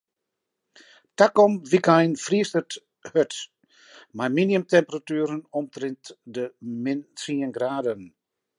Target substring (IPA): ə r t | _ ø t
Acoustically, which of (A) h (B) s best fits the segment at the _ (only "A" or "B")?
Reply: A